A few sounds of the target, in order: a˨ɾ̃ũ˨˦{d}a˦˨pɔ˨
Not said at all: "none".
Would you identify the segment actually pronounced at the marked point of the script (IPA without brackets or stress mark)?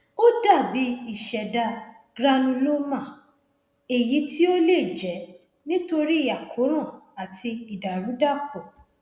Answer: d